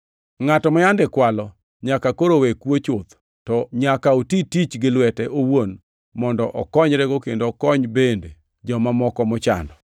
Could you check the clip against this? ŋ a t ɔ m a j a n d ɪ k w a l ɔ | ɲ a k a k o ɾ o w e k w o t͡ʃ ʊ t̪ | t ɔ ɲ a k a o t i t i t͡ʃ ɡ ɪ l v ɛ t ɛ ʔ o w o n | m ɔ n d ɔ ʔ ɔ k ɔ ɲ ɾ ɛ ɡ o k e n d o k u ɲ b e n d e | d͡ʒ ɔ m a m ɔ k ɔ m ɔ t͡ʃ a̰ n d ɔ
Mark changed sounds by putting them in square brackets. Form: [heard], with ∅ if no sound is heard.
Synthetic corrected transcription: ŋ a t ɔ m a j a n d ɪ k w a l ɔ | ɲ a k a k o ɾ o w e k w o t͡ʃ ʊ t̪ | t ɔ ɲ a k a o t i t i t͡ʃ ɡ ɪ l [w] ɛ t ɛ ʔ o w o n | m ɔ n d ɔ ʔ ɔ k ɔ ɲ ɾ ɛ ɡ o k e n d o k [ɔ] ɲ b e n d e | d͡ʒ ɔ m a m ɔ k ɔ m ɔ t͡ʃ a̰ n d ɔ